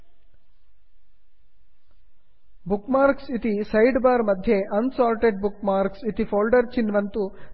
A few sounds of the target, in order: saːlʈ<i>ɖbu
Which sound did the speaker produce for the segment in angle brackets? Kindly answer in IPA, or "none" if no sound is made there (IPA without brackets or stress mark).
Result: e